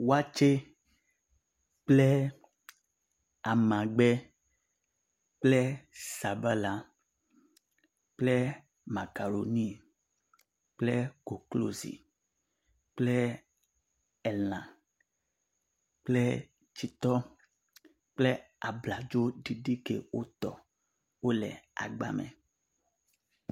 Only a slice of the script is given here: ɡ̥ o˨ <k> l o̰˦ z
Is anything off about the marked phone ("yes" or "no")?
no